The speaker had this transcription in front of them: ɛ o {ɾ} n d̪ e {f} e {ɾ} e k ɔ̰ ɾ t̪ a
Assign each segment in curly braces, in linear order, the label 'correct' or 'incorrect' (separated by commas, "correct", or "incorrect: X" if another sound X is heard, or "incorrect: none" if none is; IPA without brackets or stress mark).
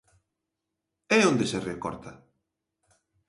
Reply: incorrect: none, incorrect: s, incorrect: r